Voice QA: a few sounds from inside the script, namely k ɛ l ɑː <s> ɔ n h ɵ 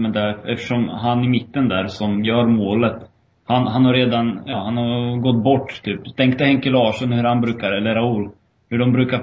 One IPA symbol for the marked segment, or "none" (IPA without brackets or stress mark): ʂ